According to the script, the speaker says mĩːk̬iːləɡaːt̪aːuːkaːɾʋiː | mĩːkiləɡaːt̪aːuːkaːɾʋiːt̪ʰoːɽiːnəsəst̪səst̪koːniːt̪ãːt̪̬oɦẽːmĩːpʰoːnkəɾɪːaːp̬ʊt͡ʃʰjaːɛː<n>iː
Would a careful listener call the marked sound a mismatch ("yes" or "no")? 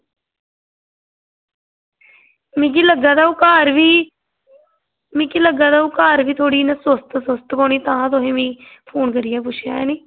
no